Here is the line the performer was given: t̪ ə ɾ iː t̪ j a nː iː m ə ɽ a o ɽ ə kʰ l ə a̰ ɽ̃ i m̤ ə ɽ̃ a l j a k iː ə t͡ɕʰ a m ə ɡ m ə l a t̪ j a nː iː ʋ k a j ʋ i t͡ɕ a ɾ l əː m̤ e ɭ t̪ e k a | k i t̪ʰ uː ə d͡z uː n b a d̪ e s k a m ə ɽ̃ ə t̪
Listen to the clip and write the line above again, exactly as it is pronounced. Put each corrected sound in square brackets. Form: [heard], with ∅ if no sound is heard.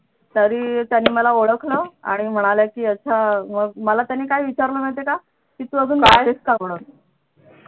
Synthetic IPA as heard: t̪ ə ɾ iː t̪ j a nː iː m ə [l] a o ɽ ə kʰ l ə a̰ ɽ̃ i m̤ ə ɽ̃ a l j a k iː ə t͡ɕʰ a m ə ɡ m ə l a t̪ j a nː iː [∅] k a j ʋ i t͡ɕ a ɾ l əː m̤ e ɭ t̪ e k a | k i [t̪] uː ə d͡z uː n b a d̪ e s k a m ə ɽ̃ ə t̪